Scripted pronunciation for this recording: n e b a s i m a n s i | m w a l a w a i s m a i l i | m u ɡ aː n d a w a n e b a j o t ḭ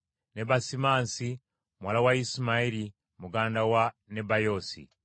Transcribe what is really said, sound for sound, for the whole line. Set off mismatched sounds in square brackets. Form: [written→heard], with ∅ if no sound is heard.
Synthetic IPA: n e b a s i m a n s i | m w a l a w a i s m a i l i | m u ɡ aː n d a w a n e b a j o [t→s] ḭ